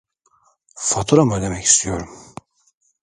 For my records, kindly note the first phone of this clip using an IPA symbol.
f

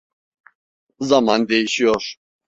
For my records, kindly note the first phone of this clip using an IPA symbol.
z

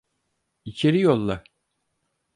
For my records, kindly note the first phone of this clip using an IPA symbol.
i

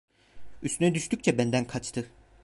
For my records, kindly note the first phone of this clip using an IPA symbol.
y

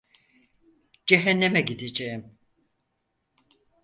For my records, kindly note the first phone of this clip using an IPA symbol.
d͡ʒ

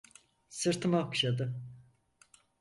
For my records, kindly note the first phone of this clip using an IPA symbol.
s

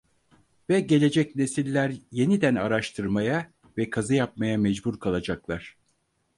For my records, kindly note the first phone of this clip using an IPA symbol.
v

